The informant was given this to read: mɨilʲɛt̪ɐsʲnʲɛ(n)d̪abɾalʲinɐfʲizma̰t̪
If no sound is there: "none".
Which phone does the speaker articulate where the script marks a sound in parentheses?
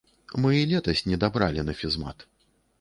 none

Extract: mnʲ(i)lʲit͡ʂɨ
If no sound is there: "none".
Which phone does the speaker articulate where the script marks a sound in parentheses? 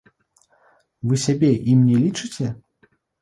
ɛ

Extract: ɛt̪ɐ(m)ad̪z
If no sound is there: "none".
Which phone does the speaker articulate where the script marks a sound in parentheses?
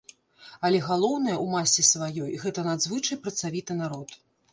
n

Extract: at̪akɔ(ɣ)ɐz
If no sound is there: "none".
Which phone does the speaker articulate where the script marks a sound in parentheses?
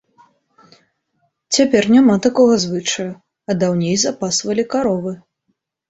ɣ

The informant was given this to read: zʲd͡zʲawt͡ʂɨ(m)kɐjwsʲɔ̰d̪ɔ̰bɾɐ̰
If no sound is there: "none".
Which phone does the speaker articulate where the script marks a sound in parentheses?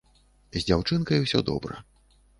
n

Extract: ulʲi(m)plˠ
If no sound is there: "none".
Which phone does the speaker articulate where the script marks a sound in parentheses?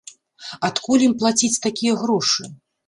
m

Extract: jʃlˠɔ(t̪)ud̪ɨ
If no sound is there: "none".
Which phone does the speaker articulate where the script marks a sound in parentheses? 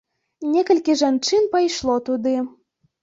t̪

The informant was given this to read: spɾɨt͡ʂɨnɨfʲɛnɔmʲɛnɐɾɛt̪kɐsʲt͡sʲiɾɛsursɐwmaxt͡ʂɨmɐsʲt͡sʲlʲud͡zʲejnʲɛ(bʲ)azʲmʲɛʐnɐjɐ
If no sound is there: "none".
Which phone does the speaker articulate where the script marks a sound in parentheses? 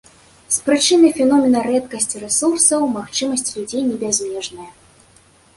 bʲ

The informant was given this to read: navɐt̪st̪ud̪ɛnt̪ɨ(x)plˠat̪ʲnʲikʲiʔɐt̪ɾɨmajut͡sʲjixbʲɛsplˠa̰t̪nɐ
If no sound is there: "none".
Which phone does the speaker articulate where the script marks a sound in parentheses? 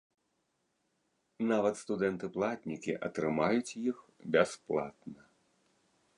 none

